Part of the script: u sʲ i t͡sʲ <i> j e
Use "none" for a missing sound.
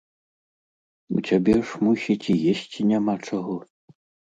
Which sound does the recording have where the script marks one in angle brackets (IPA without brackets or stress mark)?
i